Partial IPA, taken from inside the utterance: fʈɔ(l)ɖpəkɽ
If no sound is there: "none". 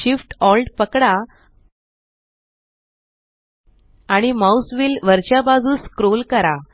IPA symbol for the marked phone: l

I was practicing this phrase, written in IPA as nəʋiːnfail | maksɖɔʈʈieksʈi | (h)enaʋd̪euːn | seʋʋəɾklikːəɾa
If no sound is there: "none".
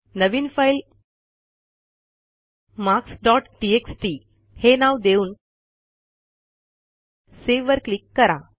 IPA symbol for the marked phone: h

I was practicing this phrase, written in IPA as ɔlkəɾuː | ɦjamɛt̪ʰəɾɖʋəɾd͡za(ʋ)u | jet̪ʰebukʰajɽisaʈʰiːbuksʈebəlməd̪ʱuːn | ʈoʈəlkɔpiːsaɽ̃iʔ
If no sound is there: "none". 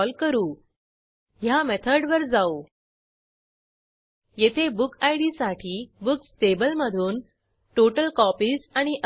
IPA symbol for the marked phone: none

